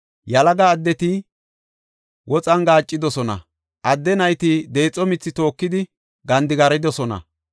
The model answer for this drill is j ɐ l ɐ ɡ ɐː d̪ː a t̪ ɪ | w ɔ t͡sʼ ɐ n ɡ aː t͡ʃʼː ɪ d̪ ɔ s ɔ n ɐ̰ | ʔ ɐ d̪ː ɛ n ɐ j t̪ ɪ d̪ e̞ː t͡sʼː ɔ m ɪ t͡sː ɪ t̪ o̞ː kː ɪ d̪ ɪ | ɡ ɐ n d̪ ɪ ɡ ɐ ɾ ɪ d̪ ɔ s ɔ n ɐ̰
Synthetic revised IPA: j ɐ l ɐ ɡ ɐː d̪ː ɛ t̪ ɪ | w ɔ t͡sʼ ɐ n ɡ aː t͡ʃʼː ɪ d̪ ɔ s ɔ n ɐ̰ | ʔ ɐ d̪ː ɛ n ɐ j t̪ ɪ d̪ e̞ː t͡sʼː ɔ m ɪ t͡sː ɪ t̪ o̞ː kː ɪ d̪ ɪ | ɡ ɐ n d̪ ɪ ɡ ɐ ɾ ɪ d̪ ɔ s ɔ n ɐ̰